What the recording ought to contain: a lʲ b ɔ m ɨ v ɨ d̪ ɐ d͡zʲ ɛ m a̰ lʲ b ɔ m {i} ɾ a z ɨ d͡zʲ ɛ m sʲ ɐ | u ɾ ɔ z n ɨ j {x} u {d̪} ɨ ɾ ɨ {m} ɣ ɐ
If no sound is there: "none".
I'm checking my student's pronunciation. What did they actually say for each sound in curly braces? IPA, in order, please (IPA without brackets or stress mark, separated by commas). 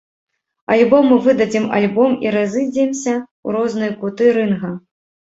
i, k, t̪, n